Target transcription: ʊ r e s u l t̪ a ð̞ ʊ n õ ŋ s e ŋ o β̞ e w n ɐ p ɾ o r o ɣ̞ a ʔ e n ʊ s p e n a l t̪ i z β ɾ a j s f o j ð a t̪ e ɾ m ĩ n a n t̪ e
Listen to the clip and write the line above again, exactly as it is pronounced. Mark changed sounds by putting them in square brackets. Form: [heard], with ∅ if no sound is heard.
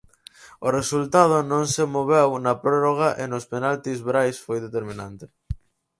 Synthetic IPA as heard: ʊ r e s u l t̪ a ð̞ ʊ n õ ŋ s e [m] o β̞ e w n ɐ p ɾ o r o ɣ̞ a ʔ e n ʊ s p e n a l t̪ i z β ɾ a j s f o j ð [e] t̪ e ɾ m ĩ n a n t̪ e